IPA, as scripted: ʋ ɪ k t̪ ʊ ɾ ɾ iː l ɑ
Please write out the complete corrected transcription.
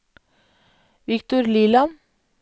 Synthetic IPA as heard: ʋ ɪ k t̪ ʊ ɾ l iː l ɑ